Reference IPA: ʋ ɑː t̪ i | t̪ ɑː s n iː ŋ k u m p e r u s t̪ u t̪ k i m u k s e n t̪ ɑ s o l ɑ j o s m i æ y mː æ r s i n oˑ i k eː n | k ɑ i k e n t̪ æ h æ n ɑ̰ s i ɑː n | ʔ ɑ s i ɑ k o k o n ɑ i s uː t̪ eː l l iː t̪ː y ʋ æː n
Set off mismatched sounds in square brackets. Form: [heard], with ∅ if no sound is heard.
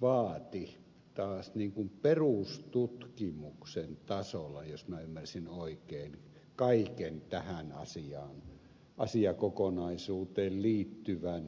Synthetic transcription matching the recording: ʋ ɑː t̪ i | t̪ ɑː s n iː ŋ k u m p e r u s t̪ u t̪ k i m u k s e n t̪ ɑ s o l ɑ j o s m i æ y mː æ r s i n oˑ i k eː n | k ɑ i k e n t̪ æ h æ n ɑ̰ s i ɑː n | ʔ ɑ s i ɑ k o k o n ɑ i s uː t̪ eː l l iː t̪ː y ʋ [æ] n